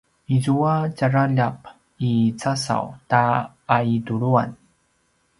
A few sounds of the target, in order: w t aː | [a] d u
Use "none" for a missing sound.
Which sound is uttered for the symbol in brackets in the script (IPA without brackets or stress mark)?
i